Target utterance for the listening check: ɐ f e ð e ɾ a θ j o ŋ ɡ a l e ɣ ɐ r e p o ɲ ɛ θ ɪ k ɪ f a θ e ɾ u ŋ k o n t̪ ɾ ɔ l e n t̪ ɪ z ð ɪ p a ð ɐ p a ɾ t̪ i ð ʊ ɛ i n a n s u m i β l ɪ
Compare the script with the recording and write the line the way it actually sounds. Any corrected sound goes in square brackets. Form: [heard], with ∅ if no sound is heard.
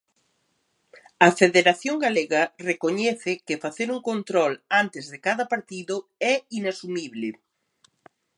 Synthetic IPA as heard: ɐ f e ð e ɾ a θ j o ŋ ɡ a l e ɣ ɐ r e [k] o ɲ ɛ θ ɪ k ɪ f a θ e ɾ u ŋ k o n t̪ ɾ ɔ l [a] n t̪ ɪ z ð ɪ [k] a ð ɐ p a ɾ t̪ i ð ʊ ɛ i n a [∅] s u m i β l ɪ